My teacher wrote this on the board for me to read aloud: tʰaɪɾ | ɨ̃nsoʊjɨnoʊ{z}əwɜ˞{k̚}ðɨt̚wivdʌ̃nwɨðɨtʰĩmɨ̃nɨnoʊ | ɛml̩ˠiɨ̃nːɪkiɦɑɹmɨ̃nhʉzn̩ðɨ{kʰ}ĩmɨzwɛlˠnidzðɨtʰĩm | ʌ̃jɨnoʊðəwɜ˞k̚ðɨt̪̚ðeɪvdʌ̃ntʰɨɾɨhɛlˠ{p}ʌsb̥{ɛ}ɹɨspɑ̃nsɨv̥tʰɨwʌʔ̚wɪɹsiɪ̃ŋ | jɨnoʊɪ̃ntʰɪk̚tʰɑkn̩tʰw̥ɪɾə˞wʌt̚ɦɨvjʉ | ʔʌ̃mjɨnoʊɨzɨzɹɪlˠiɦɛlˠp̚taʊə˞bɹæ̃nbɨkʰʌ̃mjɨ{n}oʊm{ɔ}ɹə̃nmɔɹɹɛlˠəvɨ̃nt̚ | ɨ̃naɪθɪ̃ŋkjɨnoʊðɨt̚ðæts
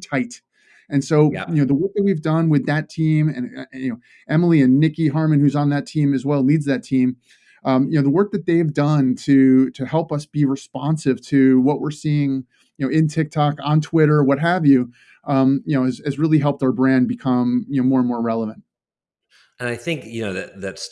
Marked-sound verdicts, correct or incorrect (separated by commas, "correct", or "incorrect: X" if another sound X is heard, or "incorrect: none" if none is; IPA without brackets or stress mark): incorrect: ð, correct, incorrect: tʰ, correct, incorrect: i, correct, correct